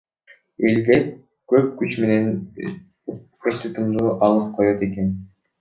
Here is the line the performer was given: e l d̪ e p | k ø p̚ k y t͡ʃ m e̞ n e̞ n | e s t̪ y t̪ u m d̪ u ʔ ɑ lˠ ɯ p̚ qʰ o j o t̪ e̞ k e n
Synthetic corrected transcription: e l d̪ e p | k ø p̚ k y t͡ʃ m e̞ n e̞ n | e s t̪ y t̪ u m d̪ u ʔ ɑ lˠ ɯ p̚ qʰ o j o t̪ e̞ k e n

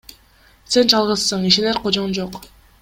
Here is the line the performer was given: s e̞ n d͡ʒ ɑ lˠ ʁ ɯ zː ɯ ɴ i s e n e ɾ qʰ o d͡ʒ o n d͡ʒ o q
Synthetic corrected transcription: s e̞ n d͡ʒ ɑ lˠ ʁ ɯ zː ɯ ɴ i ʃ e n e ɾ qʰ o d͡ʒ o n d͡ʒ o q

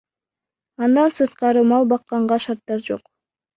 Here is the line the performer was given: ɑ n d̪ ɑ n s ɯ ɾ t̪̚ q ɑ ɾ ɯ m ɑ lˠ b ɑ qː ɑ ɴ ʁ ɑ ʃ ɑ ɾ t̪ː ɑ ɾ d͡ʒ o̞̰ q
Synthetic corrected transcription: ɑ n d̪ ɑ n s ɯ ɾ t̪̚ q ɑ ɾ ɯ m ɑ lˠ b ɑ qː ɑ ɴ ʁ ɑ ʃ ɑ ɾ t̪ː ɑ ɾ d͡ʒ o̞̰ q

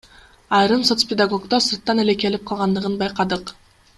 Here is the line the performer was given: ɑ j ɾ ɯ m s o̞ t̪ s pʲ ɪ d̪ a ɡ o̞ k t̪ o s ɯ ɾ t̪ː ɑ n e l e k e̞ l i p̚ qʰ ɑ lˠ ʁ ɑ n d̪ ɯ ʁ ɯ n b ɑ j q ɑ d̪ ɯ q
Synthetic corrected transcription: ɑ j ɾ ɯ m s o̞ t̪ s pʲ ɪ d̪ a ɡ o̞ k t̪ o s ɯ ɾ t̪ː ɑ n e l e k e̞ l i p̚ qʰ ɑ lˠ ʁ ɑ n d̪ ɯ ʁ ɯ n b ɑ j q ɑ d̪ ɯ q

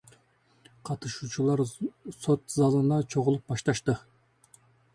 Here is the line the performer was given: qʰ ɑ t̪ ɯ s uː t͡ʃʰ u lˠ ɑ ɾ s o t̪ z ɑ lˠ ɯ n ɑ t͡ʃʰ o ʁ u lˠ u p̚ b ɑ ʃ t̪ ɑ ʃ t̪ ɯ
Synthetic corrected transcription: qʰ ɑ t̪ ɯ ʃ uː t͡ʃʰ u lˠ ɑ ɾ s o t̪ z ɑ lˠ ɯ n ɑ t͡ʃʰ o ʁ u lˠ u p̚ b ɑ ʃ t̪ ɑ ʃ t̪ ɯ

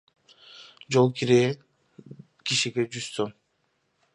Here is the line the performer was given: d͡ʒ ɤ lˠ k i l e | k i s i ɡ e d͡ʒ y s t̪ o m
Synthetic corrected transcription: d͡ʒ o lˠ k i ɾ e | k i ʃ i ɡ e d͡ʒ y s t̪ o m

